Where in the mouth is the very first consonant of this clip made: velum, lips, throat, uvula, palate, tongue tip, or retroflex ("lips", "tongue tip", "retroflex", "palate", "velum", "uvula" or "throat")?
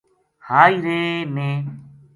throat